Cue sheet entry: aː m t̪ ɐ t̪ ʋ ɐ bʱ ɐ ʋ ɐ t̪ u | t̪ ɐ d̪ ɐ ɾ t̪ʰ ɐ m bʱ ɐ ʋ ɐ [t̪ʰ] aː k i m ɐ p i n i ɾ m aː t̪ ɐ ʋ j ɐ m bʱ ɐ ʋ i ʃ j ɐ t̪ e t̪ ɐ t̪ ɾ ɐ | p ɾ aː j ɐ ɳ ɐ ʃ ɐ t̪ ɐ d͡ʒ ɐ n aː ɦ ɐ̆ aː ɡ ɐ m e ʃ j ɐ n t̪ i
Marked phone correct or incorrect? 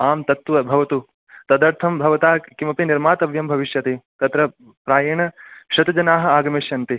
incorrect